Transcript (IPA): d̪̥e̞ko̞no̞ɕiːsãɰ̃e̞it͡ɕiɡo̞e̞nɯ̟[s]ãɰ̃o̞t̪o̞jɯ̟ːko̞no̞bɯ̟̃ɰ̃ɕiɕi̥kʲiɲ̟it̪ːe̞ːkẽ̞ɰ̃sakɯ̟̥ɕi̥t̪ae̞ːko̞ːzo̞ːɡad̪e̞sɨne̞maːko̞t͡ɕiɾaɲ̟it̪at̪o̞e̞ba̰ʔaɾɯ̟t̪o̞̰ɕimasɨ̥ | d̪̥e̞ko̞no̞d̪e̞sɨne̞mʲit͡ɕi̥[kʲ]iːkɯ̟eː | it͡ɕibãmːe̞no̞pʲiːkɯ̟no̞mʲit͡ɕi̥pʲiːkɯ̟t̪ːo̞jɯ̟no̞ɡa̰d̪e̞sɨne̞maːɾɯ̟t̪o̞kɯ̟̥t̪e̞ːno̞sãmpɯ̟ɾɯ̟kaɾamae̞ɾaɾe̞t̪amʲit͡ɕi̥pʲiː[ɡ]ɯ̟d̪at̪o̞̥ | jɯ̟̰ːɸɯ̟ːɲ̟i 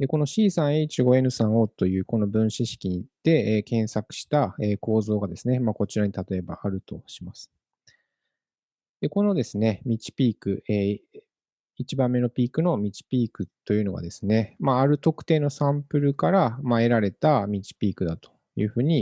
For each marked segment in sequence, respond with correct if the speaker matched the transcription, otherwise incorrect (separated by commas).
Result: correct, incorrect, incorrect